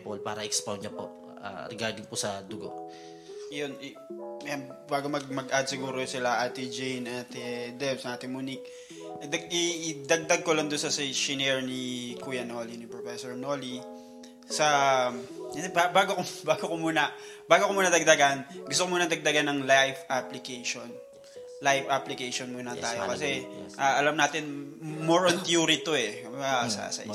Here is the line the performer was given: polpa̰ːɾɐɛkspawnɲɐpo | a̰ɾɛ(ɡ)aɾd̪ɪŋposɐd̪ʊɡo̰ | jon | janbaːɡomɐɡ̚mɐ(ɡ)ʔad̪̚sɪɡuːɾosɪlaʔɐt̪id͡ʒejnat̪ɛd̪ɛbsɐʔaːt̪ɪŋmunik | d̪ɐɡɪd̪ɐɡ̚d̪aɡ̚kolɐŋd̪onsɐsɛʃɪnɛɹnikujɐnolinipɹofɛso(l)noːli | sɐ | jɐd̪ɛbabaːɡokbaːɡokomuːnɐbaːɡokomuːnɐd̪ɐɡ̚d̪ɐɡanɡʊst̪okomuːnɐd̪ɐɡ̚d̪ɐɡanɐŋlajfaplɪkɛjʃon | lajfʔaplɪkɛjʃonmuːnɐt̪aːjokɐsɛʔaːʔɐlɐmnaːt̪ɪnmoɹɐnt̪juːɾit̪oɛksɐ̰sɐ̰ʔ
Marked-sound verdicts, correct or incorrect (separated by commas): correct, correct, incorrect